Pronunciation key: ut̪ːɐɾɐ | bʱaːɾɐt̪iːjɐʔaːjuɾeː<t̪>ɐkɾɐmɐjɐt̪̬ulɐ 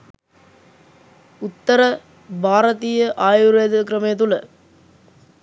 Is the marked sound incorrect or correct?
incorrect: d̪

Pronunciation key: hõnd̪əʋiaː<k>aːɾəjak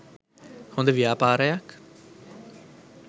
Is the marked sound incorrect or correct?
incorrect: p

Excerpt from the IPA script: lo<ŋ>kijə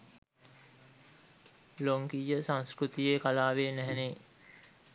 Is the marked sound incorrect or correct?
correct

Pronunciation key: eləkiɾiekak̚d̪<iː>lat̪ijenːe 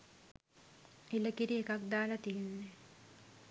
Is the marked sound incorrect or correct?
incorrect: aː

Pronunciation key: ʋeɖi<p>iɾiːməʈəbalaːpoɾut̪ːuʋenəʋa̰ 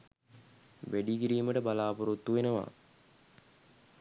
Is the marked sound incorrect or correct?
incorrect: k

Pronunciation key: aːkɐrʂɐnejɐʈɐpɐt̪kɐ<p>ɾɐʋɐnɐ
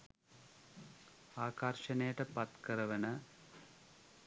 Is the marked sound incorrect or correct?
incorrect: none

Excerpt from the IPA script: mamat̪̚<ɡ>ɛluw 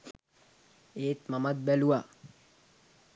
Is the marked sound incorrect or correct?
incorrect: b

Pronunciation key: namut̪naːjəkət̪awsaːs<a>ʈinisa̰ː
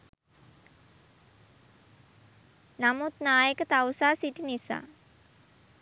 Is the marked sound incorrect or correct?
incorrect: i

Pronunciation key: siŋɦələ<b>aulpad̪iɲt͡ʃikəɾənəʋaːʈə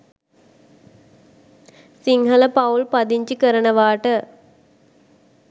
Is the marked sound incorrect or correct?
incorrect: p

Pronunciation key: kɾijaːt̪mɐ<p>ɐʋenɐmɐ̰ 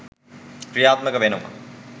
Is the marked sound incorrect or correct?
incorrect: k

